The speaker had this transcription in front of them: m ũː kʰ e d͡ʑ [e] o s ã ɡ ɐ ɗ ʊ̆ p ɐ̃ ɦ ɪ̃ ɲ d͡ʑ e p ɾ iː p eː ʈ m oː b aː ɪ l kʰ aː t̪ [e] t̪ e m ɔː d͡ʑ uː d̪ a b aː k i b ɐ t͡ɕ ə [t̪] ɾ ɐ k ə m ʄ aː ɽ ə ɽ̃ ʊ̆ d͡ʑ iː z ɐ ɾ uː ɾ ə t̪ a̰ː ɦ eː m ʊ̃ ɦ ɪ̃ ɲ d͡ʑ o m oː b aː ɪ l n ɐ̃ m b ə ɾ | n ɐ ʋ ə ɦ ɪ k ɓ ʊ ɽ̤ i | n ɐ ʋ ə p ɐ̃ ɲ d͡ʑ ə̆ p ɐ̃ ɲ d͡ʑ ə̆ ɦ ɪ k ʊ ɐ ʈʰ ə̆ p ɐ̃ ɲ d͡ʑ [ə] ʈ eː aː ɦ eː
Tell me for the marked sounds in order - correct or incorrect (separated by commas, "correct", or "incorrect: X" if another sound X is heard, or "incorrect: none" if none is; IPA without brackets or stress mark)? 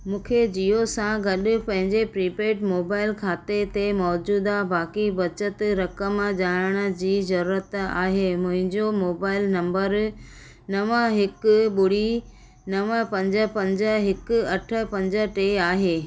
incorrect: i, correct, correct, correct